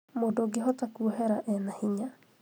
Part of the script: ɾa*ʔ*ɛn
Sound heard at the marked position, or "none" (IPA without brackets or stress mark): ʔ